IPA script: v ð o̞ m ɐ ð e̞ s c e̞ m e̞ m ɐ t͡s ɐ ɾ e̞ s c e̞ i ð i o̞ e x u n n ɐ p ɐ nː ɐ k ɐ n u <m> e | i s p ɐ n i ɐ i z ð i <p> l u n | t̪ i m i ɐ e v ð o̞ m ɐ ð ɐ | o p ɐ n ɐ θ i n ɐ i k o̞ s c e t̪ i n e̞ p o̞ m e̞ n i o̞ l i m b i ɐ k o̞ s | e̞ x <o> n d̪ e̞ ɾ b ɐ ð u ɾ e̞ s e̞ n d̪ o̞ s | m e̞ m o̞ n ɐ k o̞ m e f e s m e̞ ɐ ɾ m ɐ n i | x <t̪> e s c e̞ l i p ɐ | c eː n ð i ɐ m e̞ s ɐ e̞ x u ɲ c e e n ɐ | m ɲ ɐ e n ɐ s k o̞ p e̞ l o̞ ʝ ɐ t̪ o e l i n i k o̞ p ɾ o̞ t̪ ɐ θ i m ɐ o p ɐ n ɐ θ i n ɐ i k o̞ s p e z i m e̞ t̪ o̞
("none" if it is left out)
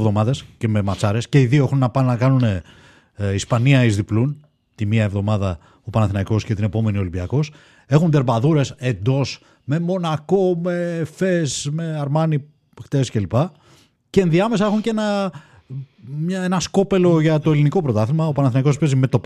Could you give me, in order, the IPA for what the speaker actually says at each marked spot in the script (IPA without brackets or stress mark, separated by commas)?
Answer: n, p, u, t̪